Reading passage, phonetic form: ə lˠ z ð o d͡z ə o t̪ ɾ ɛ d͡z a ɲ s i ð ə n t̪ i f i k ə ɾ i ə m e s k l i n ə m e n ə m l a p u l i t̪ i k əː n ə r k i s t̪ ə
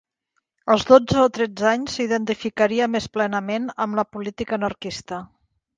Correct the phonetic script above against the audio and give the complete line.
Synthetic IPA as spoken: ə lˠ z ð o d͡z ə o t̪ ɾ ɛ d͡z a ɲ s i ð ə n t̪ i f i k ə ɾ i ə m e s p l ɛ n ə m e n ə m l ə p u l i t̪ i k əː n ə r k i s t̪ ə